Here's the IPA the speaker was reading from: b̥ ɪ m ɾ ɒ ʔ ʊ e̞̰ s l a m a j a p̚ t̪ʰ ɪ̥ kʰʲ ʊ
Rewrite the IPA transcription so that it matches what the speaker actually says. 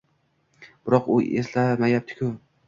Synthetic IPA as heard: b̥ ɪ ɾ ɒ q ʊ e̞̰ s l a m a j a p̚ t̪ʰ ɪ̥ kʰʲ ʊ